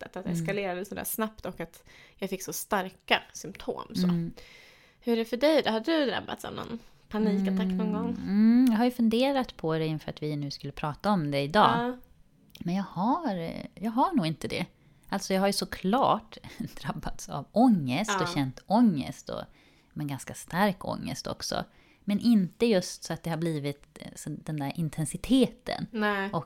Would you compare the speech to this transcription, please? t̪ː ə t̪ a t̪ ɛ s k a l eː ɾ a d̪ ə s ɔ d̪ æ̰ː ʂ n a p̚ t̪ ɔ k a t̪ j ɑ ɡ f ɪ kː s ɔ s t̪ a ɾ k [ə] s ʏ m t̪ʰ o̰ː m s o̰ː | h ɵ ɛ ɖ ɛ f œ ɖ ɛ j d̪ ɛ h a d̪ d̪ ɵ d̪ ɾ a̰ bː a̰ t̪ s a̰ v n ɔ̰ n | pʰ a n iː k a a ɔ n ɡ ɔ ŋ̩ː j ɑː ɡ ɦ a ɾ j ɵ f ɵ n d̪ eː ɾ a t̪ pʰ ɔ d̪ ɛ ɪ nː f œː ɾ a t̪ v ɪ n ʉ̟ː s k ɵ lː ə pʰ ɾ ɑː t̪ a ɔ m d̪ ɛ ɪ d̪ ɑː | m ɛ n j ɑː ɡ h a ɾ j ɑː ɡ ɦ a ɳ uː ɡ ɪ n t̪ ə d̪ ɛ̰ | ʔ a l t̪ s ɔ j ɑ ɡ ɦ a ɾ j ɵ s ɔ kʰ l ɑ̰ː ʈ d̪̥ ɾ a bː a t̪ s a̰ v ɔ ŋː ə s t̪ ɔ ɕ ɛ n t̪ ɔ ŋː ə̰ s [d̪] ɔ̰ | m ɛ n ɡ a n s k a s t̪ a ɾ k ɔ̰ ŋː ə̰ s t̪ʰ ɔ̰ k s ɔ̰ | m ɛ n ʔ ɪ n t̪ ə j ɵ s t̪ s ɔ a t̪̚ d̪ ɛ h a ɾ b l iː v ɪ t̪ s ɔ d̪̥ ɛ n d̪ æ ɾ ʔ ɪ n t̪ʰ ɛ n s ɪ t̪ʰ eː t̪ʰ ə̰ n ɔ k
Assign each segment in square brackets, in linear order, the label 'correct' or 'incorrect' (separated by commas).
incorrect, incorrect